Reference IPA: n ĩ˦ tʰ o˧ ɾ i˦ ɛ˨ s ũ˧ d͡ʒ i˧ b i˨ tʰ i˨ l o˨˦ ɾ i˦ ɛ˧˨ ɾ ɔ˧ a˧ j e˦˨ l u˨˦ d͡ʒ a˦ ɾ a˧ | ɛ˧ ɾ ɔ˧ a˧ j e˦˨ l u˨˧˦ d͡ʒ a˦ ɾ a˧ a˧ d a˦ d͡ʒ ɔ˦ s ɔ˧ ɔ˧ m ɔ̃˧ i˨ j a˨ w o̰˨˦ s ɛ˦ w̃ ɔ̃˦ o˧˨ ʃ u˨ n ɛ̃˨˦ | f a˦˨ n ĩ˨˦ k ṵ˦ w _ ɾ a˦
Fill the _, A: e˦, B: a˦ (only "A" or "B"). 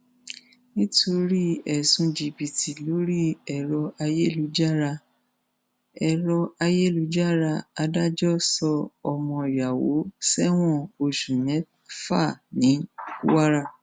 B